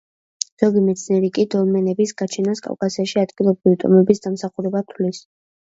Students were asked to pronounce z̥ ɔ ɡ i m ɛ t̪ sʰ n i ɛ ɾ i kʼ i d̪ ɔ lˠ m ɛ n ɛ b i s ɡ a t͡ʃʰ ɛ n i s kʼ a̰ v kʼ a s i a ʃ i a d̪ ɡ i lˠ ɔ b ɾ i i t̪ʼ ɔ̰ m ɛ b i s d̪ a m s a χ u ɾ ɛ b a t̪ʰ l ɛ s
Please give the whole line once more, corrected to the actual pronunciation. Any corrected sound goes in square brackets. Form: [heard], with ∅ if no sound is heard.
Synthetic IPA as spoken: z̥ ɔ ɡ i m ɛ t̪ sʰ n i ɛ ɾ i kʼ i d̪ ɔ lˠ m ɛ n ɛ b i s ɡ a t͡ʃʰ ɛ n [a] s kʼ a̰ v kʼ a s i a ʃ i a d̪ ɡ i lˠ ɔ b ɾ i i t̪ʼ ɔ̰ m ɛ b i s d̪ a m s a χ u ɾ ɛ b a t̪ʰ l [i] s